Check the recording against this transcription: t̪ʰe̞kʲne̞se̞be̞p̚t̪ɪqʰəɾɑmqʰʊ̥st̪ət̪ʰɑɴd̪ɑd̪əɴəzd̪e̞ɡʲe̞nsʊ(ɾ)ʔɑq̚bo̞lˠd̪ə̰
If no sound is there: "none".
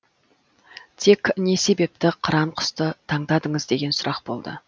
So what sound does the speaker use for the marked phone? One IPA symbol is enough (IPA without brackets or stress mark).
ɾ